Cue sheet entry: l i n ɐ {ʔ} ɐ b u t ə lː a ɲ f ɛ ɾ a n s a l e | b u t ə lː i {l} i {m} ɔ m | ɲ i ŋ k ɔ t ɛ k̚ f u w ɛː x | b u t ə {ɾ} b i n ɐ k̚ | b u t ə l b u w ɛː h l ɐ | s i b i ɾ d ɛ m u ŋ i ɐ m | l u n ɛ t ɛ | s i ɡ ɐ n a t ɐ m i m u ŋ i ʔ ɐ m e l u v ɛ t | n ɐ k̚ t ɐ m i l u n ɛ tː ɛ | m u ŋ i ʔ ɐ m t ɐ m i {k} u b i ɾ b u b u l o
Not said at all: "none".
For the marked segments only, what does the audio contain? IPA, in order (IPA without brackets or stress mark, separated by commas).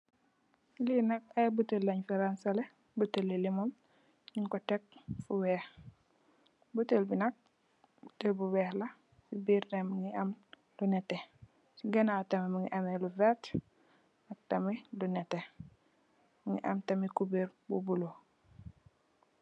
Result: k, l, m, l, k